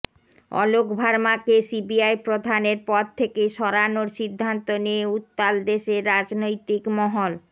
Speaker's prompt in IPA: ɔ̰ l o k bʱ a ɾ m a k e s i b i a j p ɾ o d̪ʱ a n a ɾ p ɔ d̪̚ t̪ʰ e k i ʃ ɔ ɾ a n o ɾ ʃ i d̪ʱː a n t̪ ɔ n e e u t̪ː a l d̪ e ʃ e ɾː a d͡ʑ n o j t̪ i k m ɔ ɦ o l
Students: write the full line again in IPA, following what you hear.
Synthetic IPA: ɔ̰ l o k bʱ a ɾ m a k e s i b i a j p ɾ o d̪ʱ a n e ɾ p ɔ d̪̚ t̪ʰ e k e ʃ ɔ ɾ a n o ɾ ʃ i d̪ʱː a n t̪ o n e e u t̪ː a l d̪ e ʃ e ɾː a d͡ʑ n o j t̪ i k m ɔ ɦ o l